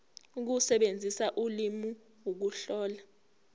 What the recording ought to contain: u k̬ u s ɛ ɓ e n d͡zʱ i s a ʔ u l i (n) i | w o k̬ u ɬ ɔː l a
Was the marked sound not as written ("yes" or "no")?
yes